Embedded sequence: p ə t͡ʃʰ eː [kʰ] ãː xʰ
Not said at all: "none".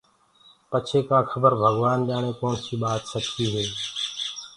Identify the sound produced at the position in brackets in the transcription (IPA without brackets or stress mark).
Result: k